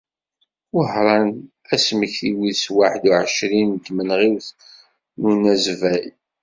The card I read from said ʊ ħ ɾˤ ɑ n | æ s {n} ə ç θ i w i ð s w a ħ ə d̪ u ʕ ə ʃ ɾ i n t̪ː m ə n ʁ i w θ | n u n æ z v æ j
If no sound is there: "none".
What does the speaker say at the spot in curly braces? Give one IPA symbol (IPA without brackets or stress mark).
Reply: m